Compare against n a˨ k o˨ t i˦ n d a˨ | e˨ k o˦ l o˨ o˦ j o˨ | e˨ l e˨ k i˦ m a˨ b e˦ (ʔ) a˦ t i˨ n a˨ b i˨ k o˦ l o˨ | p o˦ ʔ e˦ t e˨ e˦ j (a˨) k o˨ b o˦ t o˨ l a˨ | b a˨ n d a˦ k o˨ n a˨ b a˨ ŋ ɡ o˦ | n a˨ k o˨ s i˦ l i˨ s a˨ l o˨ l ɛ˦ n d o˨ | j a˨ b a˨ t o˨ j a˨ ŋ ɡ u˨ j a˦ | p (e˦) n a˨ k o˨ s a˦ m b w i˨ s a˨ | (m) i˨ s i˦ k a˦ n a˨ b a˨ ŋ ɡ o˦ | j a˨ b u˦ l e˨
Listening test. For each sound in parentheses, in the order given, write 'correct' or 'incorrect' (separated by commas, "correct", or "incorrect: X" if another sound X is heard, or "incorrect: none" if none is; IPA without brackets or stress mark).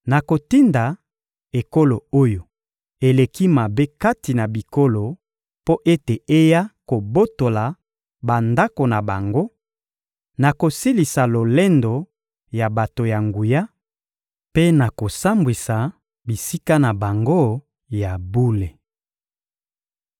incorrect: k, incorrect: a˦, correct, incorrect: b